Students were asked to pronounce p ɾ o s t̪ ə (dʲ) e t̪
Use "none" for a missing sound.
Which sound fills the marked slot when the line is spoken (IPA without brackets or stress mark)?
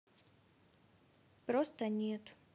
nʲ